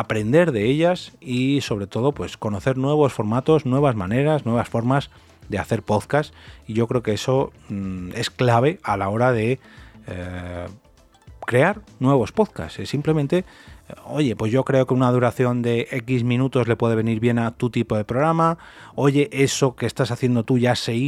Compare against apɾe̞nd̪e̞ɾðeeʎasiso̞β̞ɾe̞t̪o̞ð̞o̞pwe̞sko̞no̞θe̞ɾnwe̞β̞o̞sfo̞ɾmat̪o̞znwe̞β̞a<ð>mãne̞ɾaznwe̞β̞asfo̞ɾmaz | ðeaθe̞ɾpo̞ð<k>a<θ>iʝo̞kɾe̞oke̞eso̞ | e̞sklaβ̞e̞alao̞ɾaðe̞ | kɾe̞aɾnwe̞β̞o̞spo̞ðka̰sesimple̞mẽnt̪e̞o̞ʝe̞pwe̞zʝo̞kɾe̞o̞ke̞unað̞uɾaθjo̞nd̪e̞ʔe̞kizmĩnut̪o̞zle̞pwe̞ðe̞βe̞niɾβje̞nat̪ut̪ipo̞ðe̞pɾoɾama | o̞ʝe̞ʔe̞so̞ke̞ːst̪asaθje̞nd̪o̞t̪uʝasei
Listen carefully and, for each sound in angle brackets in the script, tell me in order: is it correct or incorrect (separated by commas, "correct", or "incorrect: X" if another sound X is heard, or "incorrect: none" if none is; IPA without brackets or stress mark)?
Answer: incorrect: z, correct, incorrect: s